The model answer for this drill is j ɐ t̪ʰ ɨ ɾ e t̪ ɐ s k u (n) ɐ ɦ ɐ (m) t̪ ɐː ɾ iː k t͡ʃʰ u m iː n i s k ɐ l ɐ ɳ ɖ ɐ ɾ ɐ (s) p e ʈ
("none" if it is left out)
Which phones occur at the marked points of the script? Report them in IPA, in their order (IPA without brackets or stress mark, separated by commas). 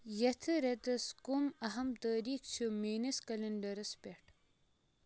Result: m, m, s